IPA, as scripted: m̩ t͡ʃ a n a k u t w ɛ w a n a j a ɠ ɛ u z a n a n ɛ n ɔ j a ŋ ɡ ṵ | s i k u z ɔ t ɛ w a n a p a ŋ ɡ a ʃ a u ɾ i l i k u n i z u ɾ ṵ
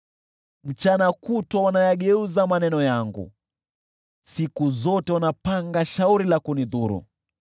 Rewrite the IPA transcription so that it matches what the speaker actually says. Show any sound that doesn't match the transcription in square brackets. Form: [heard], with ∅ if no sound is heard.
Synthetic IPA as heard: m̩ t͡ʃ a n a k u t w [a] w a n a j a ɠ ɛ u z a [m] a n ɛ n ɔ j a ŋ ɡ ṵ | s i k u z ɔ t ɛ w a n a p a ŋ ɡ a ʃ a u ɾ i l [a] k u n i [ð] u ɾ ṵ